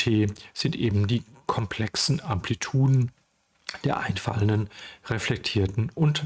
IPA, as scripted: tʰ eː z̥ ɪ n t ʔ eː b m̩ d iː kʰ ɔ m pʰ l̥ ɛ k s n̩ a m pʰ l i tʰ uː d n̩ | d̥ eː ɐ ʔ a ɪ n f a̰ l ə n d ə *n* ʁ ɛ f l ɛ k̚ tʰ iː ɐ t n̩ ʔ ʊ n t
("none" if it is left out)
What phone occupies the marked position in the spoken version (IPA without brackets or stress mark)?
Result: n